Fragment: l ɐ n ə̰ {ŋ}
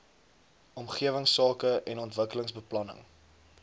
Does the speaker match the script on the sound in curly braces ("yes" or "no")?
yes